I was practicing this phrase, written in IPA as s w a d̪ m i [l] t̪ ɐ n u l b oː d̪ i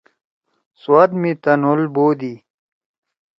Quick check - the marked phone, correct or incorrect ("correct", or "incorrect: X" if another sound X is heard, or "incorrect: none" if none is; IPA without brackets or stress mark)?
incorrect: none